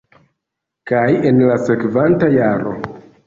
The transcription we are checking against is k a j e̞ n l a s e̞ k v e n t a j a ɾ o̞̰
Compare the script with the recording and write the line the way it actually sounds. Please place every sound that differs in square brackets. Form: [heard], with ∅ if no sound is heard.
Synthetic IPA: k a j e̞ n l a s e̞ k v [a] n t a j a ɾ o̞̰